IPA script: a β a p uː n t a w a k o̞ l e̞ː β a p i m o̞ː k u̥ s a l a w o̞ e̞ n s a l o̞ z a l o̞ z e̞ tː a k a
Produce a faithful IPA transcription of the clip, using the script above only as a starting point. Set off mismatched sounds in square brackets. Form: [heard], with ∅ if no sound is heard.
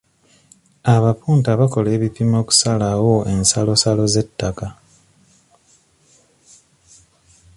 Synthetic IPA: a β a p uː n t a [β] a k o̞ l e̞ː β [i] p i m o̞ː k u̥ s a l a w o̞ e̞ n s a l o̞ [s] a l o̞ z e̞ tː a k a